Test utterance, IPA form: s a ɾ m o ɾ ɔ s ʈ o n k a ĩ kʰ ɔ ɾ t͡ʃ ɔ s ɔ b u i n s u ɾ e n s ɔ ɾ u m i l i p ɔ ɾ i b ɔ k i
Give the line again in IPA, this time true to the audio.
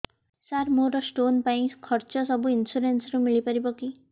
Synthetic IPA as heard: s a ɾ m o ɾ ɔ s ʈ o n p a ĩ kʰ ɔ ɾ t͡ʃ ɔ s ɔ b u i n s u ɾ e n s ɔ ɾ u m i ɭ i p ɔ ɾ i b ɔ k i

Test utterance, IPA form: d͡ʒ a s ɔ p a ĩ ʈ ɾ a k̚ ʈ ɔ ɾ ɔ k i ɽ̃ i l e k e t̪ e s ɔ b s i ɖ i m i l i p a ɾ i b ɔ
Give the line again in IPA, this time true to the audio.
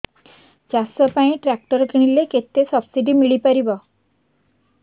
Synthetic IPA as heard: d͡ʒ a s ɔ p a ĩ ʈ ɾ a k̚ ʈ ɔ ɾ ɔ k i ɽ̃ i l e k e t̪ e s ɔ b s i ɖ i m i ɭ i p a ɾ i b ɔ

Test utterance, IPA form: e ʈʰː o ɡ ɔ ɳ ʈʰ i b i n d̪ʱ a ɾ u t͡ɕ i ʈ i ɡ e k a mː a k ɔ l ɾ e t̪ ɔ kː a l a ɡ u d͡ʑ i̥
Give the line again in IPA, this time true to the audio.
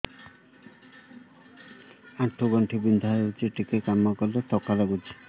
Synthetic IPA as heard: a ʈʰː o ɡ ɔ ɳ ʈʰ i b i n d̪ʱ a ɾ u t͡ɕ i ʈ i k e k a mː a k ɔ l l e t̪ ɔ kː a l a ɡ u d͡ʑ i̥

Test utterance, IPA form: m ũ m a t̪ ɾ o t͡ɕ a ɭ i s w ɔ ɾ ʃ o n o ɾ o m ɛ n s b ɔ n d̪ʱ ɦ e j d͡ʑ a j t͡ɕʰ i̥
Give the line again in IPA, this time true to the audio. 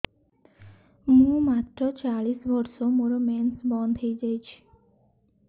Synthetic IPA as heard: m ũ m a t̪ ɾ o t͡ɕ a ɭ i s b ɔ ɾ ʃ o m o ɾ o m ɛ n s b ɔ n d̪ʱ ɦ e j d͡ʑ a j t͡ɕʰ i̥

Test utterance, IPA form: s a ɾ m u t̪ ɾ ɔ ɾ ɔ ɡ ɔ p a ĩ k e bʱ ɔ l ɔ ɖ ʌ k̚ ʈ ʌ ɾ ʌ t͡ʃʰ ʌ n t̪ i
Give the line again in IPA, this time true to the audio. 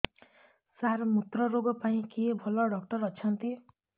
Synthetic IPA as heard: s a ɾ m u t̪ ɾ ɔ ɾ o ɡ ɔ p a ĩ k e bʱ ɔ l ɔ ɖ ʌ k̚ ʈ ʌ ɾ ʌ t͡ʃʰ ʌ n t̪ i

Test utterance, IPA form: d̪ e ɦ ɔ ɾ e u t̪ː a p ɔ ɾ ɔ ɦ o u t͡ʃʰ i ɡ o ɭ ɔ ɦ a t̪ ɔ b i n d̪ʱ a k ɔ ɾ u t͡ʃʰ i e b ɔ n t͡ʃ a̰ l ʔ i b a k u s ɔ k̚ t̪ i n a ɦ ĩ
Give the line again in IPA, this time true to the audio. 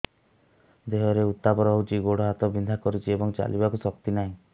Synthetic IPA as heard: d̪ e ɦ ɔ ɾ e u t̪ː a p ɔ ɾ ɔ ɦ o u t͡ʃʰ i ɡ o ɽ ɔ ɦ a t̪ ɔ b i n d̪ʱ a k ɔ ɾ u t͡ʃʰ i e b ɔ ŋ t͡ʃ a̰ l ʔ i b a k u s ɔ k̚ t̪ i n a ɦ ĩ

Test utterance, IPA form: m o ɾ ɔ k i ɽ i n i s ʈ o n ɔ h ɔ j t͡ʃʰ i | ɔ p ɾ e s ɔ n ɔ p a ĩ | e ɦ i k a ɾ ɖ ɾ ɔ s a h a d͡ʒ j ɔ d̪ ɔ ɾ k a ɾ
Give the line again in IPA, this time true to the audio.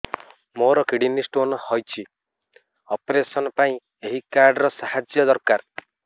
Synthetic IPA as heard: m o ɾ ɔ k i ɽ i n i s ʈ o n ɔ h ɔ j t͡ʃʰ i | ɔ p ɾ e s ɔ n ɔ p a ĩ | e ɦ i k a ɾ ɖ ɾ ɔ s a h a d͡ʒ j ɔ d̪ ɔ ɾ k a ɾ

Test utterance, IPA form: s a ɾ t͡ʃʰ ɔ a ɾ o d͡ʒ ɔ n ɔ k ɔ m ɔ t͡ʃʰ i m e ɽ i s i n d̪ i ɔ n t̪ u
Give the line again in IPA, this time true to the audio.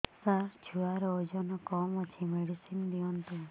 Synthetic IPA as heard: s a ɾ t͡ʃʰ u a ɾ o d͡ʒ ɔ n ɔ k ɔ m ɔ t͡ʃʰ i m e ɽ i s i n d̪ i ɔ n t̪ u

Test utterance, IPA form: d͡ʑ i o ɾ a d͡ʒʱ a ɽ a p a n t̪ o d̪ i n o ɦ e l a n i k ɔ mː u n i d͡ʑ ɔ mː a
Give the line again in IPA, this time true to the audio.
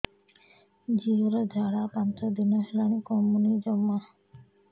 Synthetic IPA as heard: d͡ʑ i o ɾ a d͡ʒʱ a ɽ a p a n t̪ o d̪ i n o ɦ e l a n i k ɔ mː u n i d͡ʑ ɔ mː a

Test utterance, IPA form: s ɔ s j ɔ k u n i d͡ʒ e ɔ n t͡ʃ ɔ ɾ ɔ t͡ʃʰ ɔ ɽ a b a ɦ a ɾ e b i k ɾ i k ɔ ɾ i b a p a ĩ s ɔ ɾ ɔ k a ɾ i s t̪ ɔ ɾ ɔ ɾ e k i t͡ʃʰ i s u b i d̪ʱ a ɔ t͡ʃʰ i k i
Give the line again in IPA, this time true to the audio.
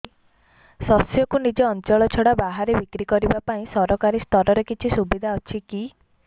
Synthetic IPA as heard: s ɔ s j ɔ k u n i d͡ʒ e ɔ n t͡ʃ ɔ ɭ ɔ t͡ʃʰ ɔ ɽ a b a ɦ a ɾ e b i k ɾ i k ɔ ɾ i b a p a ĩ s ɔ ɾ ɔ k a ɾ i s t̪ ɔ ɾ ɔ ɾ e k i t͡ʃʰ i s u b i d̪ʱ a ɔ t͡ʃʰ i k i

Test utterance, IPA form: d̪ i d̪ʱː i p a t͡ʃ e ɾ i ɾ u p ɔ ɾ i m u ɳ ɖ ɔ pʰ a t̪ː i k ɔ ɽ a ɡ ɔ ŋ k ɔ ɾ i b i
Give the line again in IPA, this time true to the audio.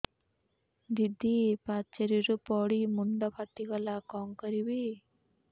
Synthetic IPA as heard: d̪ i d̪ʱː i p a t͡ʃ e ɾ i ɾ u p ɔ ɽ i m u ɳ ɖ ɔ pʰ a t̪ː i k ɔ l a k ɔ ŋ k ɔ ɾ i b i

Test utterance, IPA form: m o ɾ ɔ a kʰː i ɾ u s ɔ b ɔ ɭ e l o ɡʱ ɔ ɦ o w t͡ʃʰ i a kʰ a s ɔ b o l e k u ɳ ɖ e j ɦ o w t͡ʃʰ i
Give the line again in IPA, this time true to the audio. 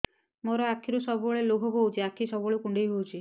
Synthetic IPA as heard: m o ɾ ɔ a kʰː i ɾ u s ɔ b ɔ ɭ e l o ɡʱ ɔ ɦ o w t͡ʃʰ i a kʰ i s ɔ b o ɭ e k u ɳ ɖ e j ɦ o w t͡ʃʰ i

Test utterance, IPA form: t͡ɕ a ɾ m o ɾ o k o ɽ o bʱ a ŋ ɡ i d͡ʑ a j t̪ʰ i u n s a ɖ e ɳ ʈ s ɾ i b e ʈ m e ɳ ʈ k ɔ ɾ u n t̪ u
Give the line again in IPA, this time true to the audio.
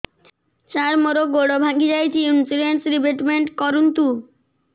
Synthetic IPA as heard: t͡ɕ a ɾ m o ɾ o ɡ o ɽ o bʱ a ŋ ɡ i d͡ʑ a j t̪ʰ i u n s i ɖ e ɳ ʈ s ɾ i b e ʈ m e ɳ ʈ k ɔ ɾ u n t̪ u

